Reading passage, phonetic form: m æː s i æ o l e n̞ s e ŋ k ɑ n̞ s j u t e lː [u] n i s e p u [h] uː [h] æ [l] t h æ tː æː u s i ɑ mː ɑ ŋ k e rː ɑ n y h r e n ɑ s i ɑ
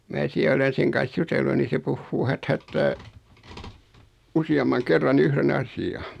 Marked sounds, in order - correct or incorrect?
correct, incorrect: hː, correct, incorrect: none

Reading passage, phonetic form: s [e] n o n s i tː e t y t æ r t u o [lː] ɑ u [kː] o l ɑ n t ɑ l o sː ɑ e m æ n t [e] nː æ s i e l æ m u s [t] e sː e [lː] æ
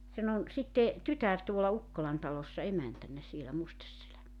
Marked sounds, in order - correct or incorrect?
correct, incorrect: l, correct, incorrect: æ, correct, incorrect: l

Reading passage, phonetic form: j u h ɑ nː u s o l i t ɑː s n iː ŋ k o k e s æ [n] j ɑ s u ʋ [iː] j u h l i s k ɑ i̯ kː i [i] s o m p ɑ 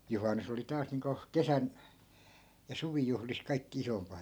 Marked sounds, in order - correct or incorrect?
correct, incorrect: i, correct

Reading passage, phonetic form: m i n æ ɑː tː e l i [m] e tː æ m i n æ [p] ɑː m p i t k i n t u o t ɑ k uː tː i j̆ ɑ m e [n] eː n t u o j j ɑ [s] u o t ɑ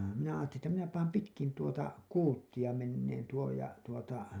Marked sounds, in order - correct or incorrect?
incorrect: n, correct, incorrect: nː, incorrect: t

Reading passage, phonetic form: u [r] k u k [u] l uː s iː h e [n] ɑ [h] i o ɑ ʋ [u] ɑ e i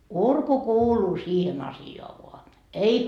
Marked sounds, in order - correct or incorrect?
correct, incorrect: uː, correct, incorrect: s, incorrect: o

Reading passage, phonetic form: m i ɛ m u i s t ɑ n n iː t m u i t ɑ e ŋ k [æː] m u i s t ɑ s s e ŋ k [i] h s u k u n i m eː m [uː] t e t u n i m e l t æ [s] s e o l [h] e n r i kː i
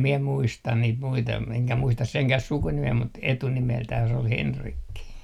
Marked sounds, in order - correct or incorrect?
incorrect: æ, incorrect: æ, incorrect: u, incorrect: h, correct

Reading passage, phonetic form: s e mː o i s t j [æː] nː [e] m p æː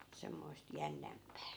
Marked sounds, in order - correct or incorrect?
incorrect: æ, incorrect: æ

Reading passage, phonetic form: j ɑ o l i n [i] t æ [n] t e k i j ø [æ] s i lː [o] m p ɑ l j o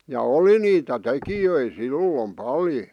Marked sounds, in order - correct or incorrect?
incorrect: iː, incorrect: none, incorrect: i, correct

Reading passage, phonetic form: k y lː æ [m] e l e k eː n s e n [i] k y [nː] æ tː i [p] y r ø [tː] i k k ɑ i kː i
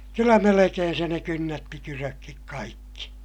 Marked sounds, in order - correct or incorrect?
correct, incorrect: e, correct, incorrect: k, incorrect: kː

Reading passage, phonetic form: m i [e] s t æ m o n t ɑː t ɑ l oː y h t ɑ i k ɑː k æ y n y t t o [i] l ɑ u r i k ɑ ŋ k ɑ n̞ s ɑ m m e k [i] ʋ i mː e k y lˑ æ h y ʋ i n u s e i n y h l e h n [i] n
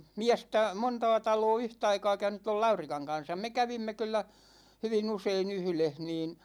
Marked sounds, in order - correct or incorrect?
incorrect: æ, correct, incorrect: æ, incorrect: iː

